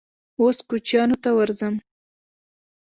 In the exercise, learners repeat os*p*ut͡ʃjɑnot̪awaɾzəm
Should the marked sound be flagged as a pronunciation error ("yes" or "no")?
yes